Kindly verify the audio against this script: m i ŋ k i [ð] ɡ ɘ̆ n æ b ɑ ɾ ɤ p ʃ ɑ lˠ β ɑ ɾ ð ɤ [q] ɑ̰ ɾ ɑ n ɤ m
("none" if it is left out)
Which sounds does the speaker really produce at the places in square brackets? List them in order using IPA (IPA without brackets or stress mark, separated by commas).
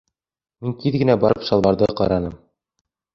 ð, q